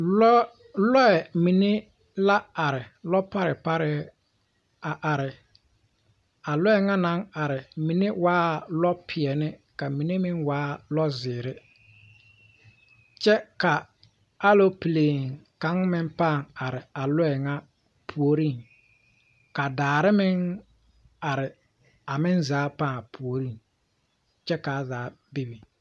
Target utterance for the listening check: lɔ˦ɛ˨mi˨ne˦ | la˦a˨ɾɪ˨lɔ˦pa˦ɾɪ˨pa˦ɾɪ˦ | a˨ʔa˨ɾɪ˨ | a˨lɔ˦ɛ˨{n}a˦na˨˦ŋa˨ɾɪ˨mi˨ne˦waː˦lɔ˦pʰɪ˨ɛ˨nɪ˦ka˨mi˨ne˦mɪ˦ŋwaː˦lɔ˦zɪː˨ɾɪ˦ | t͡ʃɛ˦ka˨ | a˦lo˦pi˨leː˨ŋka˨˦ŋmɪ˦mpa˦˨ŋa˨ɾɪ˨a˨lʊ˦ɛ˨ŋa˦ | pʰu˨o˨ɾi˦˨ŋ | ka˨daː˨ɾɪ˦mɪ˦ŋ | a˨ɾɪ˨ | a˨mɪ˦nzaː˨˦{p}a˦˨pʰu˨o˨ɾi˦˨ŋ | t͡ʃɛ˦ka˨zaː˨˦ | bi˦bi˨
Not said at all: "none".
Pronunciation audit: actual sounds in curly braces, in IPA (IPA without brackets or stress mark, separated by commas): ŋ, p